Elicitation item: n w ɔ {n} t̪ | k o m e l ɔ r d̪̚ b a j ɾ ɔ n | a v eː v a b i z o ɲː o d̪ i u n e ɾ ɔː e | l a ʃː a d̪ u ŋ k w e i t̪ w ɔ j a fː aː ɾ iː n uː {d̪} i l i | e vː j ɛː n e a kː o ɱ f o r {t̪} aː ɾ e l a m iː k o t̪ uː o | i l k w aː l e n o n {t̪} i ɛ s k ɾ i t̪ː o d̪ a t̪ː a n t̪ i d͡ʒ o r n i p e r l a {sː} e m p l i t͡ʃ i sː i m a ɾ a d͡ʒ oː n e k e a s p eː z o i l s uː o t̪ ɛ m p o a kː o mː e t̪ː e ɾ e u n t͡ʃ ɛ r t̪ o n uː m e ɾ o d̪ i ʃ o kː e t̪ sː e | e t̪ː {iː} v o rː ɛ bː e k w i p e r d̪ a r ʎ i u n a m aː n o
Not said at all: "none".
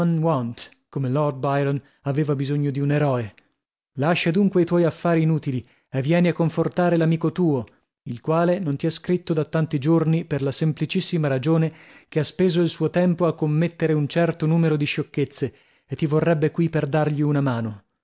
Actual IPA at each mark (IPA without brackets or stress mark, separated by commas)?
n, t̪, t̪, t̪, s, i